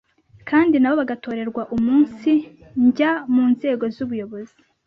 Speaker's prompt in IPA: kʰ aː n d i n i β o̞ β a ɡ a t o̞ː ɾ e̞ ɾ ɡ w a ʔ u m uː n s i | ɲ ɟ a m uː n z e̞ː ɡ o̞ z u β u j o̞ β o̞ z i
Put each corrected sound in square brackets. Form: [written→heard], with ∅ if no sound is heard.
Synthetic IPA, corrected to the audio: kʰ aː n d i n [i→a] β o̞ β a ɡ a t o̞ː ɾ e̞ ɾ ɡ w a ʔ u m uː n s i | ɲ ɟ a m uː n z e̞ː ɡ o̞ z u β u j o̞ β o̞ z i